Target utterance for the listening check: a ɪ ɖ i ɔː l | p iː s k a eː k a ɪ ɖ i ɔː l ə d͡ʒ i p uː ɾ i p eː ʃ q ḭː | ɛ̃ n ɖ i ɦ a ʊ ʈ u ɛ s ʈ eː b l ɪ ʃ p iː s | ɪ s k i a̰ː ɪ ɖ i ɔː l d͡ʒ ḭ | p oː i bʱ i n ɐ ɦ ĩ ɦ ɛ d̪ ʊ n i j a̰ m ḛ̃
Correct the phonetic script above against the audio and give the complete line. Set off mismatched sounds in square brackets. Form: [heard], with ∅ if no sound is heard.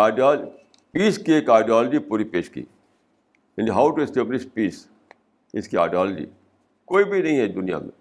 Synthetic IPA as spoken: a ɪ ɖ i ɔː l | p iː s k [i] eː k a ɪ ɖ i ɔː l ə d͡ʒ i p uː ɾ i p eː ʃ [k] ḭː | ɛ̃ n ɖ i ɦ a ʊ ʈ u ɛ s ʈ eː b l ɪ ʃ p iː s | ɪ s k i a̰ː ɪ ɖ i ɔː l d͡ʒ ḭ | [k] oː i bʱ i n ɐ ɦ ĩ ɦ ɛ d̪ ʊ n i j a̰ m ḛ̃